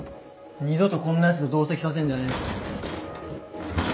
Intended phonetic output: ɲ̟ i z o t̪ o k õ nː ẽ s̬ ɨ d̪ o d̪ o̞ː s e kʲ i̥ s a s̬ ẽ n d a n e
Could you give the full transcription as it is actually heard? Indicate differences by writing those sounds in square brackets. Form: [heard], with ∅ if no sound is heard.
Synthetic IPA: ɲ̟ i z o t̪ o k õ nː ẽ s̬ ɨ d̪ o d̪ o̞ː s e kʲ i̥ s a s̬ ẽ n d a n e